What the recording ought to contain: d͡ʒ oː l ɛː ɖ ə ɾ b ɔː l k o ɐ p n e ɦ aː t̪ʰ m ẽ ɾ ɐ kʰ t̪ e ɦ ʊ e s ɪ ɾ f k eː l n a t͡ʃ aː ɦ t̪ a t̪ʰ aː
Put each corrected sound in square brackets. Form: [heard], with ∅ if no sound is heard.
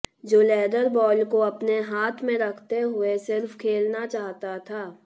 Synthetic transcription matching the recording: d͡ʒ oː l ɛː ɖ ə ɾ b ɔː l k o ɐ p n e ɦ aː t̪ʰ m ẽ ɾ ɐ kʰ t̪ e ɦ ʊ e s ɪ ɾ f [kʰ] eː l n a t͡ʃ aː ɦ t̪ a t̪ʰ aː